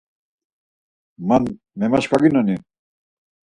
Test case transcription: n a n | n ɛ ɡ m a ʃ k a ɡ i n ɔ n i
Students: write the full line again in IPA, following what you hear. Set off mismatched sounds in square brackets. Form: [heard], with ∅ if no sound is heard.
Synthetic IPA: [m] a n | [m] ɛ [∅] m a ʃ k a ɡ i n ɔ n i